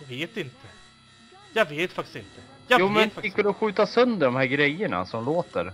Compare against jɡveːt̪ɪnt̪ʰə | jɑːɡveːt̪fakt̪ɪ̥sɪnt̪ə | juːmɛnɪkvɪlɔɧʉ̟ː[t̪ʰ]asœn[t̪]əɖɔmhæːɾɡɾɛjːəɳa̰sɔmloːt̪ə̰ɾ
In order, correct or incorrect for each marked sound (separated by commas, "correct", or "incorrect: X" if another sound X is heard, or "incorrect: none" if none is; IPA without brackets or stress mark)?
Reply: incorrect: t̪, incorrect: d̪